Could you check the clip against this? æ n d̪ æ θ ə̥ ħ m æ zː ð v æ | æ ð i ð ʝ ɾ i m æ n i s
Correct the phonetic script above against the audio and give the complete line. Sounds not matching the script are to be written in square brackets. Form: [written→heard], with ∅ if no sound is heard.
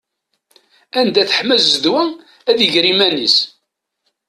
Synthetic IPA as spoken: æ n d̪ æ θ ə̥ ħ m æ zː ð [v→w] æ | æ ð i [ð→∅] ʝ ɾ i m æ n i s